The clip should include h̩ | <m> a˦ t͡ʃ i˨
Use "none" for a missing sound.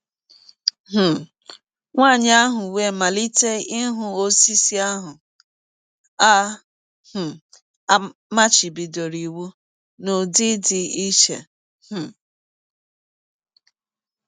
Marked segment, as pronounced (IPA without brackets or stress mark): m